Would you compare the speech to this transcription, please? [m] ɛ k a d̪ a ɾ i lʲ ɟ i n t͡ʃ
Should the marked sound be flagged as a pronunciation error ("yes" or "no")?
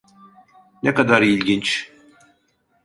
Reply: yes